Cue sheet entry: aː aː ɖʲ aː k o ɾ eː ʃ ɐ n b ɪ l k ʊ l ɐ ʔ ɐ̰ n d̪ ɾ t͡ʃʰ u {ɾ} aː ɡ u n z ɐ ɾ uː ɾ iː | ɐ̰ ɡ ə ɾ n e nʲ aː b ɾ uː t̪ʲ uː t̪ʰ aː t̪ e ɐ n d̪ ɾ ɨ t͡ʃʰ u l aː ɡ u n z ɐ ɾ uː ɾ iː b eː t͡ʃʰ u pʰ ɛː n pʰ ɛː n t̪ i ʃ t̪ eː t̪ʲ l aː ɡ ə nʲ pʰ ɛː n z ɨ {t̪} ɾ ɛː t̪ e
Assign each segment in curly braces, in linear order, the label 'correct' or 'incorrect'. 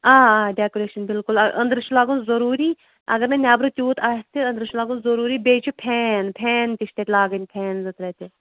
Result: incorrect: l, correct

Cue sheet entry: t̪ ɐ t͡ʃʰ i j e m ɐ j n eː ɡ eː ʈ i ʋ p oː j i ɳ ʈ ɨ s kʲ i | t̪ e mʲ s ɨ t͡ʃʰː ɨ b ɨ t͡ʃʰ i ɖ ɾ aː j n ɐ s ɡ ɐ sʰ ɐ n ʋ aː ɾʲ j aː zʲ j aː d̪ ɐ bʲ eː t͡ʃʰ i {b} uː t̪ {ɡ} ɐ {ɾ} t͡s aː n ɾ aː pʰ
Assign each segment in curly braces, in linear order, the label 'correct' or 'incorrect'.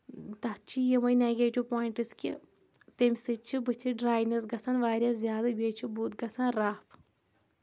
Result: correct, correct, incorrect: none

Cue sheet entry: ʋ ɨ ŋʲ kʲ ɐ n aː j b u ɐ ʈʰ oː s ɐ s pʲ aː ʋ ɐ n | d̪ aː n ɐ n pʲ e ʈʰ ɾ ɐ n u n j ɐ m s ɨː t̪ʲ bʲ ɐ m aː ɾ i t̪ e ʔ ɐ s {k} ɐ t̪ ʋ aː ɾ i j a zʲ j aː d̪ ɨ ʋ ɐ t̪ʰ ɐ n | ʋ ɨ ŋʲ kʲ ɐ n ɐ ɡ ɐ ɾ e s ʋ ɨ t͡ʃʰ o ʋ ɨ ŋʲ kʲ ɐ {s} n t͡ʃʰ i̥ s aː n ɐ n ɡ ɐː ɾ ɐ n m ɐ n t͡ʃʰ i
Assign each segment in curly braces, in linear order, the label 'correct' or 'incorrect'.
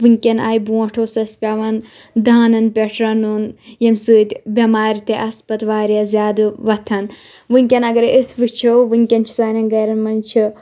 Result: incorrect: p, incorrect: none

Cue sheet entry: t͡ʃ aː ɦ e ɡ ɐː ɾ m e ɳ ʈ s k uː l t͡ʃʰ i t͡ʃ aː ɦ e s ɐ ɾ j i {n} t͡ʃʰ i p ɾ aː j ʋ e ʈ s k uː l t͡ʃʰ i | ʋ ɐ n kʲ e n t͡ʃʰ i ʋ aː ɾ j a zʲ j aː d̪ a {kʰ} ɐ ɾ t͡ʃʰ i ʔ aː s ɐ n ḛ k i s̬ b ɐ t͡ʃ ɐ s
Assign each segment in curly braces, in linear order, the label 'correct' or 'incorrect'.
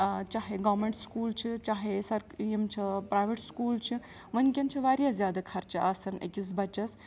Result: incorrect: m, correct

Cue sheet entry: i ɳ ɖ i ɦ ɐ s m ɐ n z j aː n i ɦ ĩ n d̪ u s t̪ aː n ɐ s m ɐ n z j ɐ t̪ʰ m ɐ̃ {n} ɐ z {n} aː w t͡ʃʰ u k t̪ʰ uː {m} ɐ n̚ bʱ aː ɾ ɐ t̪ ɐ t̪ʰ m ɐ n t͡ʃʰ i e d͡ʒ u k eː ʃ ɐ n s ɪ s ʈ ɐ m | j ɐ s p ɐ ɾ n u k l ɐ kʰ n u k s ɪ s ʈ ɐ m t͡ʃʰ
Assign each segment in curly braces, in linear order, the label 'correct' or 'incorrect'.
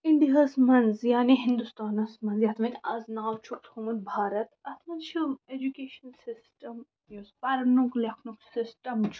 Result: correct, correct, correct

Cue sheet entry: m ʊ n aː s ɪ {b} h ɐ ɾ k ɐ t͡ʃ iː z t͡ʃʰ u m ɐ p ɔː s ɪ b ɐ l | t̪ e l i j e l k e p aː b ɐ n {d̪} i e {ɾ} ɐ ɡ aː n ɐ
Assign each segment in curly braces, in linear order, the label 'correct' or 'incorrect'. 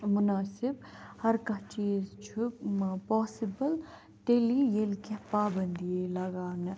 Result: correct, correct, incorrect: l

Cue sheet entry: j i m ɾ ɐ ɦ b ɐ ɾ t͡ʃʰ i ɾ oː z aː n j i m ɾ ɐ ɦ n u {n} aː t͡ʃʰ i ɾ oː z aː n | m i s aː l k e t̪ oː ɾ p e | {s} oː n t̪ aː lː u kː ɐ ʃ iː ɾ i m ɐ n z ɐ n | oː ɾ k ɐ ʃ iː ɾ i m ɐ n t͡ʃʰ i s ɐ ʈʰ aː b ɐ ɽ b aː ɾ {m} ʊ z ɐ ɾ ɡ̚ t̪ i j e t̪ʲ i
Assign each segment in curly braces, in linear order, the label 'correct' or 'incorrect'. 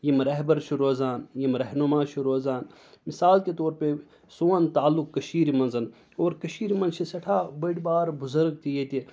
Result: incorrect: m, correct, incorrect: b

